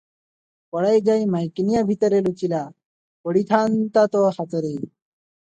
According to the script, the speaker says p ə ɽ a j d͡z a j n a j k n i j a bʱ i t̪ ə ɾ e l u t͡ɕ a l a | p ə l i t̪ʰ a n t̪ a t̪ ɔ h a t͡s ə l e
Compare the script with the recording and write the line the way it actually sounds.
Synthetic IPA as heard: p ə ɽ a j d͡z a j m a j k n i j a bʱ i t̪ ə ɾ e l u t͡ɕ i l a | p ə ɽ i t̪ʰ a n t̪ a t̪ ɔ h a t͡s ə ɾ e